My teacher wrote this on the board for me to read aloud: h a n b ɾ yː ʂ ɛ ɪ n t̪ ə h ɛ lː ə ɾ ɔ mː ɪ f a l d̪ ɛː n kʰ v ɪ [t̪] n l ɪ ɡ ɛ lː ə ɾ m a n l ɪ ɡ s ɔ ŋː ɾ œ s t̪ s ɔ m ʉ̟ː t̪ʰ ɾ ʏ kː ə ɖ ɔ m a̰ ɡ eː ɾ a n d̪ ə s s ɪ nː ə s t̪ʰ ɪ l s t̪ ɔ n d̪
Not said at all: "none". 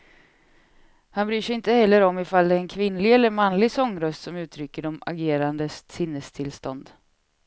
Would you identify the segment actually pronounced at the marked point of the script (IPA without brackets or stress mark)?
none